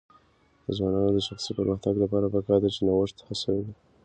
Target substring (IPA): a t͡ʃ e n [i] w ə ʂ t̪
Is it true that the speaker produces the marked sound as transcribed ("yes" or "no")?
no